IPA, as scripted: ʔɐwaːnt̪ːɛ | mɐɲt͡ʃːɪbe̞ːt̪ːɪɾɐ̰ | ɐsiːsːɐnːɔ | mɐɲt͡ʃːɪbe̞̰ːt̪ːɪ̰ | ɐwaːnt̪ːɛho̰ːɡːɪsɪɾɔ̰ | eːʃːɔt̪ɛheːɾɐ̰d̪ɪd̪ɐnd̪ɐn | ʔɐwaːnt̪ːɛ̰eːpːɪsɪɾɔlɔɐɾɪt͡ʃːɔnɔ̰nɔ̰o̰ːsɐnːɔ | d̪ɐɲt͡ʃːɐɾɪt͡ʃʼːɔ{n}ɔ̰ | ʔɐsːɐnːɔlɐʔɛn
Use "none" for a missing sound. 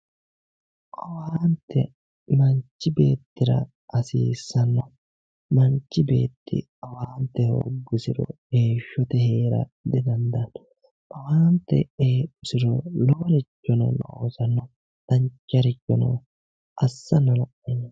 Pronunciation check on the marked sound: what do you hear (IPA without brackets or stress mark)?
n